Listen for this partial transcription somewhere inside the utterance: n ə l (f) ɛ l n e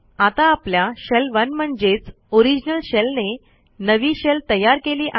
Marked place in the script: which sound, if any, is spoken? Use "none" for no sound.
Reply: ɕ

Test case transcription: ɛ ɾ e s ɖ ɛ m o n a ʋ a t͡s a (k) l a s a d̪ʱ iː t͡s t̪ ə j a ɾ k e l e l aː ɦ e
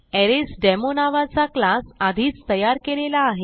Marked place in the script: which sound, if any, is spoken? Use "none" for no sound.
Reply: k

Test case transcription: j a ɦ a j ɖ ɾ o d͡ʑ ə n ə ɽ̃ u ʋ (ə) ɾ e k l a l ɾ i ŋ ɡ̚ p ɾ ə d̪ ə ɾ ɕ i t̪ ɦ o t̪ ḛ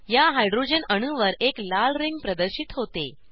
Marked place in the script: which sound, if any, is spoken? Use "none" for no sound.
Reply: ə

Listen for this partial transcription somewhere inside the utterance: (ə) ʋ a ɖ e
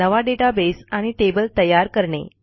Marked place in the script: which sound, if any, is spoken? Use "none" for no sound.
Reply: ə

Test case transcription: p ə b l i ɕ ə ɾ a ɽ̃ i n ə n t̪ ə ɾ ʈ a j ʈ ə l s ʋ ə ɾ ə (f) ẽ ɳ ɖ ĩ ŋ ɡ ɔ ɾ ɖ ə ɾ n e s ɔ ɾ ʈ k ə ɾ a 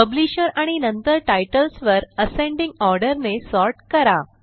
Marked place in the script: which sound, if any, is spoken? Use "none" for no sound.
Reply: s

